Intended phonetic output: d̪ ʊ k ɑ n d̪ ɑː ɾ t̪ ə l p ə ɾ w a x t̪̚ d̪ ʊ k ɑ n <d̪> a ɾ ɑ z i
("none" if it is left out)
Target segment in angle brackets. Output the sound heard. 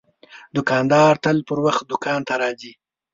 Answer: t̪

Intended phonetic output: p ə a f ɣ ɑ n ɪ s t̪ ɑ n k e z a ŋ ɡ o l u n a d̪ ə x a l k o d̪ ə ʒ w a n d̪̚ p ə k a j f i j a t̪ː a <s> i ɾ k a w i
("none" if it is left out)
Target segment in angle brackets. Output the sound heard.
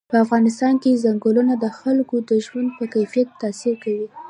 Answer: s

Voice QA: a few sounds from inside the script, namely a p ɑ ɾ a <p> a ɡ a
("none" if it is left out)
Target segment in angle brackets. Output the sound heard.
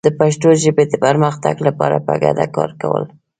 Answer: p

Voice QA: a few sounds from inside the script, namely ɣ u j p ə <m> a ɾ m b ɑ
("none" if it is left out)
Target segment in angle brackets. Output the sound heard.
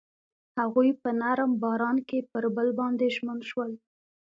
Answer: n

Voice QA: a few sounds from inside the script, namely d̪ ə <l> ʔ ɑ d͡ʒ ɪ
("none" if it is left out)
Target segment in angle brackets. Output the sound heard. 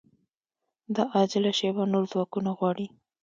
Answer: none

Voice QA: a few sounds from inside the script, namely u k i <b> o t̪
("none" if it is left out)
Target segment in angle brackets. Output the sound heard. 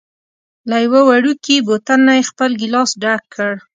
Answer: b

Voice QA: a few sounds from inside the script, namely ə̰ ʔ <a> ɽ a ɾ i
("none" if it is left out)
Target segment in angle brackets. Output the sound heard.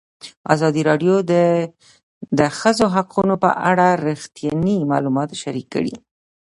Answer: a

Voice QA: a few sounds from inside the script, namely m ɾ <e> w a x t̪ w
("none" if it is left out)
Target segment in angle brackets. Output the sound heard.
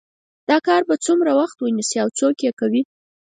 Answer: a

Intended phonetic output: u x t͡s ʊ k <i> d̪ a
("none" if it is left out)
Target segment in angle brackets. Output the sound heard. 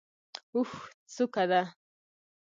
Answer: a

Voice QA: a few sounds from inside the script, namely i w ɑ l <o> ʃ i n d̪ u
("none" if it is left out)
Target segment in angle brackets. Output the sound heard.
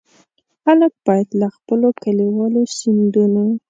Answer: o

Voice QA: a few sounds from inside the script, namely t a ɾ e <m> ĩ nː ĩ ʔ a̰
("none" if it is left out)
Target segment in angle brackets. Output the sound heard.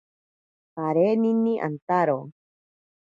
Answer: n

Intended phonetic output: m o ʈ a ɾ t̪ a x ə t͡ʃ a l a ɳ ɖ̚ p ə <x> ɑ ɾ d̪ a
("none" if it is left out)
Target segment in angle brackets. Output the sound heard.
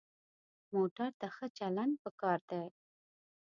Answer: k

